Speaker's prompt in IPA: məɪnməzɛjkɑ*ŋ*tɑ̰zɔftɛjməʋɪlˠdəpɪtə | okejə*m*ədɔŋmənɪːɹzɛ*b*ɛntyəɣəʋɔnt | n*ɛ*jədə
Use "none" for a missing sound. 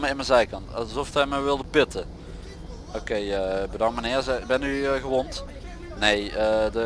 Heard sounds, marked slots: n, b, b, e

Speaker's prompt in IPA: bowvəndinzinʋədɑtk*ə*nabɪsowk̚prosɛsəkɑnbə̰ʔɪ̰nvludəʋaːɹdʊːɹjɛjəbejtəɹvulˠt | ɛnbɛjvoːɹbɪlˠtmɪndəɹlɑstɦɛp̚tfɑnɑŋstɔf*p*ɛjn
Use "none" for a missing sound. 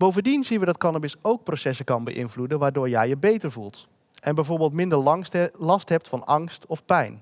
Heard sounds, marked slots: ɑ, p

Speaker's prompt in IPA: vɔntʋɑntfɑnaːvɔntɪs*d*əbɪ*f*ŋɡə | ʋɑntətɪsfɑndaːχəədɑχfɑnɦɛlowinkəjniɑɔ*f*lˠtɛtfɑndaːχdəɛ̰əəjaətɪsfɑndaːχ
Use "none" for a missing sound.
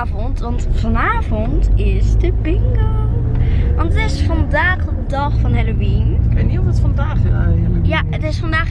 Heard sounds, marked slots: d, none, none

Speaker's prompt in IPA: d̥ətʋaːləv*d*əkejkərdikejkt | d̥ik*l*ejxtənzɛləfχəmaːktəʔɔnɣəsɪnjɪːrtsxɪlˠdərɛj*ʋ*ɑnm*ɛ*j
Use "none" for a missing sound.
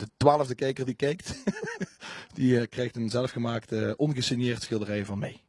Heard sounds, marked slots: d, r, v, e

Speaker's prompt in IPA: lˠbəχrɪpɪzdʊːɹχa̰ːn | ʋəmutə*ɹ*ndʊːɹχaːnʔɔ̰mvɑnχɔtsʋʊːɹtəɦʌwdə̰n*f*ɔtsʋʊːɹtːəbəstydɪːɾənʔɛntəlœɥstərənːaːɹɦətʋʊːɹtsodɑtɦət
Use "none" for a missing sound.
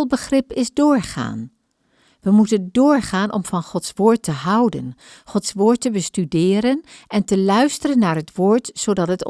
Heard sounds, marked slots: none, χ

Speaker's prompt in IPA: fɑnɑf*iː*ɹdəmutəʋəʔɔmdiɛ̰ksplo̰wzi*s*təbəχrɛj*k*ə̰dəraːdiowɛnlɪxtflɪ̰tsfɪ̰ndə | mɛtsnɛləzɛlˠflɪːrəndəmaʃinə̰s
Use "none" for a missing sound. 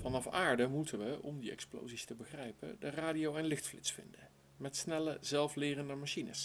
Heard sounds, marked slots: aː, s, p

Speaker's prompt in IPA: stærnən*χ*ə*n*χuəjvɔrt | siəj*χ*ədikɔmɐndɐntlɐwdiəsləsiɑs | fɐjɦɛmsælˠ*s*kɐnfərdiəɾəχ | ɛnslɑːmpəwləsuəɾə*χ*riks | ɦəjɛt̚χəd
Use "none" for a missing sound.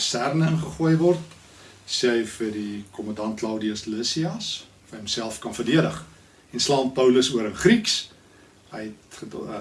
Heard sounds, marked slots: χ, none, f, f, χ

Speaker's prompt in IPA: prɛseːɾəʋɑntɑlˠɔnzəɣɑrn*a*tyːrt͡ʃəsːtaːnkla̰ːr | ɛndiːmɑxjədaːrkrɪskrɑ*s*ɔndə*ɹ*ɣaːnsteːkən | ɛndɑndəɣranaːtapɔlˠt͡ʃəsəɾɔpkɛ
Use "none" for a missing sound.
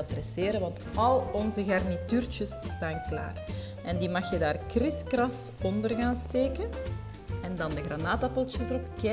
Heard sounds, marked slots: i, s, r

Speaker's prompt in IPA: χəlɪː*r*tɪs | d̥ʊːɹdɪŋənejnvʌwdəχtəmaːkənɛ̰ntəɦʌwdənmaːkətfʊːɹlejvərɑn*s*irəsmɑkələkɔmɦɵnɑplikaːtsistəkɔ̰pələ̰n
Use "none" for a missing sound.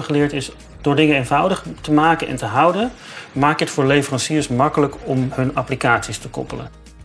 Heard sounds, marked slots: ɹ, s

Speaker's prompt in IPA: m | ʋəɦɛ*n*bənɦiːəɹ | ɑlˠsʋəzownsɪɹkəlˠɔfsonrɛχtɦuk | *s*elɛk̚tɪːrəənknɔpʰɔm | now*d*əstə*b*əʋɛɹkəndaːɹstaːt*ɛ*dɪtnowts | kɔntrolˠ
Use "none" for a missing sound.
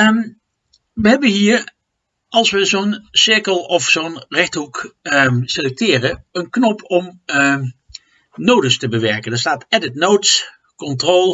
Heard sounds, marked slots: none, s, d, b, ɛ

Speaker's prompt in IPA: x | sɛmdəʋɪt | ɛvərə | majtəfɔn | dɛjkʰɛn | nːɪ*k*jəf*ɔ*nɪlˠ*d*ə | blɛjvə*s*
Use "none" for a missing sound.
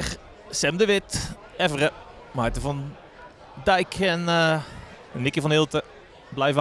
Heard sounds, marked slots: k, ɔ, t, none

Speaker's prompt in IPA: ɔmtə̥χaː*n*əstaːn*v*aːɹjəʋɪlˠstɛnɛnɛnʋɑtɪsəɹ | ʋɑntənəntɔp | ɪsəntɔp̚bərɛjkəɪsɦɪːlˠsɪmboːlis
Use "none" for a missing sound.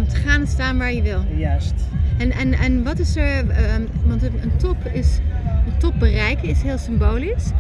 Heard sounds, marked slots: n, ʋ

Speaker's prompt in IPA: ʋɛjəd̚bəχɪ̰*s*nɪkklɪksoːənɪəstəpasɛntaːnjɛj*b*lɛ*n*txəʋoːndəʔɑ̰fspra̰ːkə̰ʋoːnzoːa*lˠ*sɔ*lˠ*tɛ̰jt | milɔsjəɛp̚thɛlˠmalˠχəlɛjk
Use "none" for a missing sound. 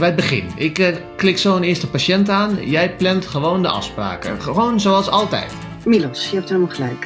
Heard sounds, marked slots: none, p, n, lˠ, lˠ

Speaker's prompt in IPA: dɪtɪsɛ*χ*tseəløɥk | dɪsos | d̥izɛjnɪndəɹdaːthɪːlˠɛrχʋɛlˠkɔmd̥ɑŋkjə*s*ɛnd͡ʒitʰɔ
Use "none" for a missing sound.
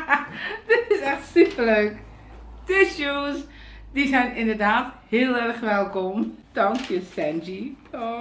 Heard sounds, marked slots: χ, s

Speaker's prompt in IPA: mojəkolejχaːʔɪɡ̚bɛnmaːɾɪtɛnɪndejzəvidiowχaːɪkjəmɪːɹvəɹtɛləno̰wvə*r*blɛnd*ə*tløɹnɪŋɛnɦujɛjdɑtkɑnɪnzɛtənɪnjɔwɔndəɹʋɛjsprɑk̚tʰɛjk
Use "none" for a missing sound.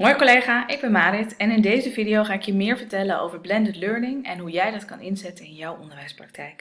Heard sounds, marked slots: ɹ, ə

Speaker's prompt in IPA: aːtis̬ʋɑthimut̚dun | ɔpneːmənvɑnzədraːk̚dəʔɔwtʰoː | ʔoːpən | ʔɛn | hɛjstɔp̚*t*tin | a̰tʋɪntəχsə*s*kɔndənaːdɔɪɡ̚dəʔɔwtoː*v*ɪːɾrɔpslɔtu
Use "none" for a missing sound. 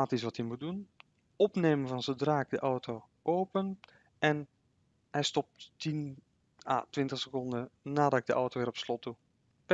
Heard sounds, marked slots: t, none, ʋ

